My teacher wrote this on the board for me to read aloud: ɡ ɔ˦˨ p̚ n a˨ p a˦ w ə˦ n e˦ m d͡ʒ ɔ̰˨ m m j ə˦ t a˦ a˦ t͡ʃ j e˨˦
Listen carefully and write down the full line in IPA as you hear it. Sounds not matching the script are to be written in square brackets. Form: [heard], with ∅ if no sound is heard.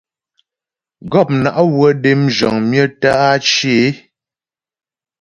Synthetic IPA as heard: ɡ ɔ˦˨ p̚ n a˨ [ʔ] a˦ w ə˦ [d] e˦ m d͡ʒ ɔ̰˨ [ŋ] m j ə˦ t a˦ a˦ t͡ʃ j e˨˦

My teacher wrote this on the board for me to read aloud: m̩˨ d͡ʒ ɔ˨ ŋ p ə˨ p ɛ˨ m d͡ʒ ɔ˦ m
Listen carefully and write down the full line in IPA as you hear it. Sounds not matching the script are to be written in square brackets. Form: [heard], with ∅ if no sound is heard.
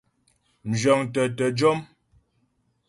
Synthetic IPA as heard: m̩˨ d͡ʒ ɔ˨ ŋ [t] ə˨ [t] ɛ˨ [∅] d͡ʒ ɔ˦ m

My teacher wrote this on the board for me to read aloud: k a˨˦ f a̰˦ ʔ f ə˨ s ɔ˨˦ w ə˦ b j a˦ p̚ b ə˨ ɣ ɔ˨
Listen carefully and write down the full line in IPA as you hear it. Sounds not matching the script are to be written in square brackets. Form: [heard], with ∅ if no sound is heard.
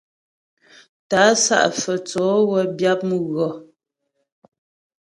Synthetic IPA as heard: [t] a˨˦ [s] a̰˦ ʔ f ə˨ [t͡s] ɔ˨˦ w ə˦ b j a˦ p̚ [m] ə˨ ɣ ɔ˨

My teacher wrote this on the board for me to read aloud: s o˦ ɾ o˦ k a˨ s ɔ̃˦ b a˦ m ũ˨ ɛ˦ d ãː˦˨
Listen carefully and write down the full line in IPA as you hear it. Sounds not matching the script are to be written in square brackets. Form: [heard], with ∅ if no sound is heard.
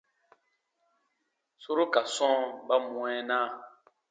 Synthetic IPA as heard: s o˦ ɾ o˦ k a˨ s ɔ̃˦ b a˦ m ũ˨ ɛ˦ [n] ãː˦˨

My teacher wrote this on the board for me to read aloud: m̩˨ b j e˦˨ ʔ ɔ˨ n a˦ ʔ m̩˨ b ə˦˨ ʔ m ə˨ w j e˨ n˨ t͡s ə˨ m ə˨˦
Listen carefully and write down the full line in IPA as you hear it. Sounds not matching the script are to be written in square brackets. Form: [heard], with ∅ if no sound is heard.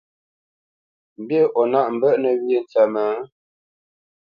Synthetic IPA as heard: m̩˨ b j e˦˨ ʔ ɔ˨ n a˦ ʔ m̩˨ b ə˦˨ ʔ [n] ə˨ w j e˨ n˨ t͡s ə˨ m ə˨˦

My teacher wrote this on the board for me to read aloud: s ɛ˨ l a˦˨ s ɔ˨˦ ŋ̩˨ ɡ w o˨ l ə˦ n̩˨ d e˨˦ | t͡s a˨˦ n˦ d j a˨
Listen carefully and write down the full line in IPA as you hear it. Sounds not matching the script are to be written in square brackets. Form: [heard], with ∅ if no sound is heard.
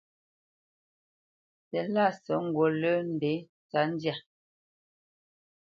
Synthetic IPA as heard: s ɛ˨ l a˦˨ s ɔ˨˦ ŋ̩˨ ɡ w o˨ l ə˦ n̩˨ d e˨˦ | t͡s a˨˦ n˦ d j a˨

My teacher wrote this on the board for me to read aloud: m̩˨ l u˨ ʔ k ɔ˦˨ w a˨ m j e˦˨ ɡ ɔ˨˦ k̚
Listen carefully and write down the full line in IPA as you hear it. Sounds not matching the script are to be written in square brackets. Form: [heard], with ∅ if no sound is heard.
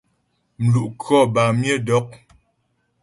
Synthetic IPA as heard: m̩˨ l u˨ ʔ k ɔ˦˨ [b] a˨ m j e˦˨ [d] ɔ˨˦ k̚

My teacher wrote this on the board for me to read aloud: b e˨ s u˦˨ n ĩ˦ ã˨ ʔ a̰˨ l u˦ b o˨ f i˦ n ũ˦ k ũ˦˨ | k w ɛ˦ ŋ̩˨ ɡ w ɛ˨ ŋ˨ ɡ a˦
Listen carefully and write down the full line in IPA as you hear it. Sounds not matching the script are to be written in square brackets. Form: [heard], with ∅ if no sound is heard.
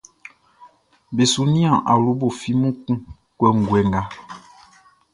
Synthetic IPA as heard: b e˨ s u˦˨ n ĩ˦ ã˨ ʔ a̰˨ l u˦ b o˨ f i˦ [m] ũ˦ k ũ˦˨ | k w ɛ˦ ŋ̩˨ ɡ w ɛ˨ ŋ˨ ɡ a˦

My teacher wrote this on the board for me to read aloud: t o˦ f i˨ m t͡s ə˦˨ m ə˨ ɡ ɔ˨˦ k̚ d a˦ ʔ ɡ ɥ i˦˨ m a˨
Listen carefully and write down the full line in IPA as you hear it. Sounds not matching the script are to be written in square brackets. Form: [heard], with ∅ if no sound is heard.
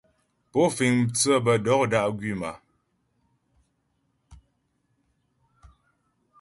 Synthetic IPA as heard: [p] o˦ f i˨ [ŋ] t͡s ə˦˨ [b] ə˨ [d] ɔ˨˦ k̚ d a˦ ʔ ɡ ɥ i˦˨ m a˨

